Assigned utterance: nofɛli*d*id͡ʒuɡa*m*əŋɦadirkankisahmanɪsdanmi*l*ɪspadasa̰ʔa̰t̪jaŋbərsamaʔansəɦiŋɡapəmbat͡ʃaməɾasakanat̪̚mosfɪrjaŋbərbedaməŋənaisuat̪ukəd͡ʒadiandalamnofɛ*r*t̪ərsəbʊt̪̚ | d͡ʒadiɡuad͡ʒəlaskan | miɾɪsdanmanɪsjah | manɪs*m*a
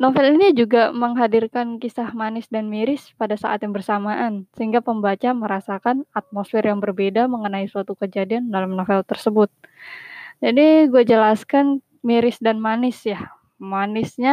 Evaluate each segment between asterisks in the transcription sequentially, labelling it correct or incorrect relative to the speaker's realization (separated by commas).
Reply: incorrect, correct, incorrect, incorrect, incorrect